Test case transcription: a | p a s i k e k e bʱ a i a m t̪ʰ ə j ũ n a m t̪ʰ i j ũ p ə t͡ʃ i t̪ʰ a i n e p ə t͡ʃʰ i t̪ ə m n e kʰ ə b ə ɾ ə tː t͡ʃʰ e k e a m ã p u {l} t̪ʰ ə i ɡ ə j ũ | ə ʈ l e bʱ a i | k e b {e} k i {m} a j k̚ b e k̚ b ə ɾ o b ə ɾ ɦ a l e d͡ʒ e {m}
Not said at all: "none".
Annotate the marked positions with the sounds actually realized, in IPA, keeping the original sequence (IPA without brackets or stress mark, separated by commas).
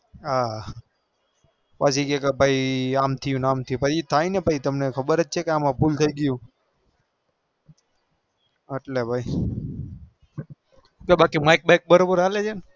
l, a, m, n